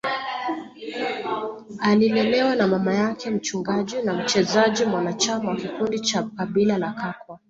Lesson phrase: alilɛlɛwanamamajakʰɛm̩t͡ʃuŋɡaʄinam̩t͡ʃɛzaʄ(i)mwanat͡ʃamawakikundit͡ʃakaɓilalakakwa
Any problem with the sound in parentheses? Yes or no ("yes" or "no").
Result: no